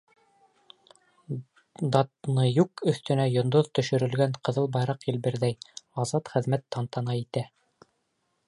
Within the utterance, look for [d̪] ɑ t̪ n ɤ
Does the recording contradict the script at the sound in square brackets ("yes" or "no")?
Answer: no